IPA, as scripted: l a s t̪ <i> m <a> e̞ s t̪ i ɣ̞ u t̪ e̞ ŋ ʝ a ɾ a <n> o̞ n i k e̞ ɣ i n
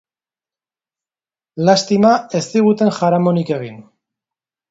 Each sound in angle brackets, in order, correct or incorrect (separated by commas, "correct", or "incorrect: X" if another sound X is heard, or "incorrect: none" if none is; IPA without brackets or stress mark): correct, correct, incorrect: m